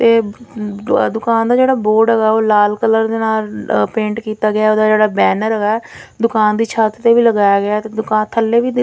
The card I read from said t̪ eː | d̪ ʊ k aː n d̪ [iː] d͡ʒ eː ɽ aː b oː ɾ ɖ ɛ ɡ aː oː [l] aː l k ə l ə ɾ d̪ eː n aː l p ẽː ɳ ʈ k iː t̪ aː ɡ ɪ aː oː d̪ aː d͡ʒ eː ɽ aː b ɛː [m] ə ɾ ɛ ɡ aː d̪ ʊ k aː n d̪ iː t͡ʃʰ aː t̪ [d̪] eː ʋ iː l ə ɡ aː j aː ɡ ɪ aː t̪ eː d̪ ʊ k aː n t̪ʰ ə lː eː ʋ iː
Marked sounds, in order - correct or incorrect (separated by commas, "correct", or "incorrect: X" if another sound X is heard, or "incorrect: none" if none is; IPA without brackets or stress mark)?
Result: incorrect: aː, correct, incorrect: n, incorrect: t̪